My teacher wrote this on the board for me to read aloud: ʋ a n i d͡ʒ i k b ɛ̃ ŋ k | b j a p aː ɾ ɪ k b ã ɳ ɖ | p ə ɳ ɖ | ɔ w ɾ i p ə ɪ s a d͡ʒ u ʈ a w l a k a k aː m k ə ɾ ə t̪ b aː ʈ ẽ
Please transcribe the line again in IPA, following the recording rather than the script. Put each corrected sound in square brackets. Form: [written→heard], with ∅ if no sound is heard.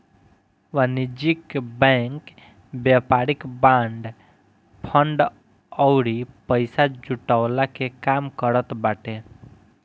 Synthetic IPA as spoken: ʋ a n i d͡ʒ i k b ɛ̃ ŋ k | b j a p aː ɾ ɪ k b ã ɳ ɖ | [p→pʰ] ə ɳ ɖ | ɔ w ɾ i p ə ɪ s a d͡ʒ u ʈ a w l a k [a→e] k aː m k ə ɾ ə t̪ b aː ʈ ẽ